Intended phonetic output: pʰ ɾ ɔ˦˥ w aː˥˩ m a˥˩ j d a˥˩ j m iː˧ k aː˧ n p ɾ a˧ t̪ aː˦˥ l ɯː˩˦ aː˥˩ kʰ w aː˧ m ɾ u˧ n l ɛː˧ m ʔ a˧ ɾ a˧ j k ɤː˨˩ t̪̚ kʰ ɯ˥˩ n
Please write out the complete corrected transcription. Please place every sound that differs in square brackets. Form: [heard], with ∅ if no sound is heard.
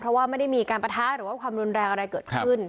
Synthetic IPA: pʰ ɾ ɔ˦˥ w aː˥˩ m a˥˩ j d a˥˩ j m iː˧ k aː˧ n p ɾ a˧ [t̪ʰ] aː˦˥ [ɾ] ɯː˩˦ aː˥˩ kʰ w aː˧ m ɾ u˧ n [ɾ] ɛː˧ [ŋ] ʔ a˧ ɾ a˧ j k ɤː˨˩ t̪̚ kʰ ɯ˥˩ n